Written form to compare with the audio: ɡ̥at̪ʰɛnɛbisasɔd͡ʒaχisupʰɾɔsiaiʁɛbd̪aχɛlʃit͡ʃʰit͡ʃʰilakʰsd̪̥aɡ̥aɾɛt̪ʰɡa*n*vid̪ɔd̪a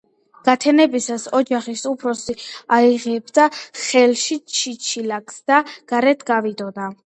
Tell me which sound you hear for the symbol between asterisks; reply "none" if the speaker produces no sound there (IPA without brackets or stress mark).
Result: none